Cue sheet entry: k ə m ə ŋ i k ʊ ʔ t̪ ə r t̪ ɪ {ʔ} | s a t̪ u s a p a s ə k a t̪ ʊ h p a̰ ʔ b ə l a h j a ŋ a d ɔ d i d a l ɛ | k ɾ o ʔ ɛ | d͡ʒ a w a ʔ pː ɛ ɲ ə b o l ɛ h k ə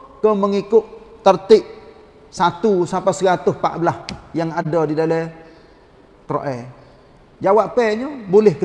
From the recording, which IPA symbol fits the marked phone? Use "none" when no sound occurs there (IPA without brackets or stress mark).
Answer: ʔ